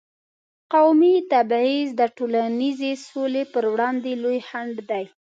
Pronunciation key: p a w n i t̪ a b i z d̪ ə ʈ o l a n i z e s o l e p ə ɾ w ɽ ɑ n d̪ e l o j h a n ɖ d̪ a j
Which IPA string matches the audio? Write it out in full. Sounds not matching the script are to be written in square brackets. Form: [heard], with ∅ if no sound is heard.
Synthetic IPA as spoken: [q] a w [m] i t̪ a b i z d̪ ə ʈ o l a n i z e s o l e p ə ɾ w ɽ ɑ n d̪ e l o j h a [ɳ] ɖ d̪ a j